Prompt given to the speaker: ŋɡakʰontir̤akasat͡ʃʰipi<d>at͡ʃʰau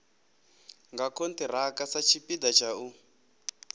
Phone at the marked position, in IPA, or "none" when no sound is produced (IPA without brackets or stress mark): d